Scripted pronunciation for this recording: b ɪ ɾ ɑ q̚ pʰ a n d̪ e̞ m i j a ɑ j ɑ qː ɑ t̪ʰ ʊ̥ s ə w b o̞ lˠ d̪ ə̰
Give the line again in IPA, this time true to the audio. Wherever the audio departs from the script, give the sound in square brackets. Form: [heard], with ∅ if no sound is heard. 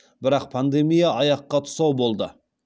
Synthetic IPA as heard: b ɪ ɾ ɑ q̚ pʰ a n d̪ e̞ m i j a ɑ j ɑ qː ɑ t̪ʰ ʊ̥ s [ɑ] w b o̞ lˠ d̪ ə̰